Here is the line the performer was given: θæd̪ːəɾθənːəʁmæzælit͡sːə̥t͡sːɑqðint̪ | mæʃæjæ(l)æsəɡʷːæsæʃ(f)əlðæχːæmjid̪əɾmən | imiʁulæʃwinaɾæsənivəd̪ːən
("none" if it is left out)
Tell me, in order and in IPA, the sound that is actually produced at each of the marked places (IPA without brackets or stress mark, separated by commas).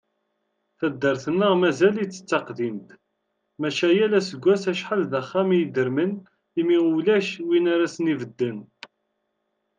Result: l, ħ